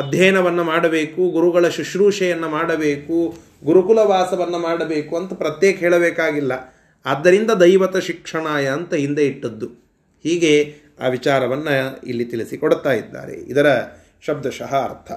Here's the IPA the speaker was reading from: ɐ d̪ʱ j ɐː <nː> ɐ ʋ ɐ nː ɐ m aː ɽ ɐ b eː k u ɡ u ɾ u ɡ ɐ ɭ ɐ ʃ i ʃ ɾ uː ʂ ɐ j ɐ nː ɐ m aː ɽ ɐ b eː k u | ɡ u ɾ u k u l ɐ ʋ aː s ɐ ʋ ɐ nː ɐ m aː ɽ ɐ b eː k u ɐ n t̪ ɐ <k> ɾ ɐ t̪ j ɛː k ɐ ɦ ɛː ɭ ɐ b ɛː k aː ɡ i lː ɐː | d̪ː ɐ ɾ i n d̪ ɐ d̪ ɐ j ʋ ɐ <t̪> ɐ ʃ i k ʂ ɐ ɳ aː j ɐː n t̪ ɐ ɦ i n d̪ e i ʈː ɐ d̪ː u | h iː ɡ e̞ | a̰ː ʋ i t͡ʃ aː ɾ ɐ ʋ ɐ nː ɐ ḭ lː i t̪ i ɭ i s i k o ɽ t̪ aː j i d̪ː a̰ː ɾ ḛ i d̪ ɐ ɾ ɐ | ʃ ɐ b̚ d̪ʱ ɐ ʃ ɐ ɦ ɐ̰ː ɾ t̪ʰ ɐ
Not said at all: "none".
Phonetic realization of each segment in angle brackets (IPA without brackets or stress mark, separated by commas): n, p, t̪